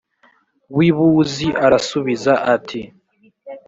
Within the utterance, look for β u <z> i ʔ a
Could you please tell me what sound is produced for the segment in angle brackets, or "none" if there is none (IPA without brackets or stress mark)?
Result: z